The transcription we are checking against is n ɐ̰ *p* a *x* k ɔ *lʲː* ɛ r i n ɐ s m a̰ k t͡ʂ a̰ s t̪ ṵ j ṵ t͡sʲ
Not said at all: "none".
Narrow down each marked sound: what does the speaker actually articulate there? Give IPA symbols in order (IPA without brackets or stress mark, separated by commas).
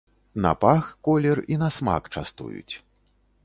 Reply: p, x, lʲ